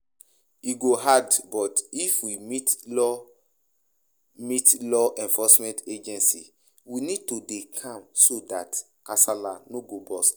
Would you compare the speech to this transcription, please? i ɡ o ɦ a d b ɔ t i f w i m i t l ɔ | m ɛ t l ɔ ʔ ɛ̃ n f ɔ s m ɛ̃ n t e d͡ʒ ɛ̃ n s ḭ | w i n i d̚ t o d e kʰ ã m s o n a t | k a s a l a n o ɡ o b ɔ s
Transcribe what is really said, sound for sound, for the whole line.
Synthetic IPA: i ɡ o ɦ a d b ɔ t i f w i m i t l ɔ | m i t l ɔ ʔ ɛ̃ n f ɔ s m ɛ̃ n t e d͡ʒ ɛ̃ n s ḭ | w i n i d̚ t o d e kʰ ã m s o d a t | k a s a l a n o ɡ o b ɔ s